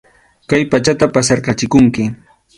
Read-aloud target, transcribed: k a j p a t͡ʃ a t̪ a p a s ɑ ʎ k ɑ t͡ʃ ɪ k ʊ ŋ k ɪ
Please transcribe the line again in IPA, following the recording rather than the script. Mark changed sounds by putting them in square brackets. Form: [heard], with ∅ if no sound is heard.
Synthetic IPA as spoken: k a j p a t͡ʃ a t̪ a p a s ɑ [ɾ] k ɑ t͡ʃ ɪ k ʊ ŋ k ɪ